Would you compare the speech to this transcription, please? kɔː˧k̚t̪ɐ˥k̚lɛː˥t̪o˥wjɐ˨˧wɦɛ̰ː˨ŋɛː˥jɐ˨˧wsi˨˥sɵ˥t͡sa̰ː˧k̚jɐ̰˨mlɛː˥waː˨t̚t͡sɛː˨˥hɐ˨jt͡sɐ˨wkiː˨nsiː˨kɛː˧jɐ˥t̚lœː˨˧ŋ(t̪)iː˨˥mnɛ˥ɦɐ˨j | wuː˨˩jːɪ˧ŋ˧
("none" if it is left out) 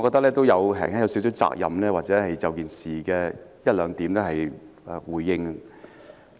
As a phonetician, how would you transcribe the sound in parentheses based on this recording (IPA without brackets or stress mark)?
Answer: t̪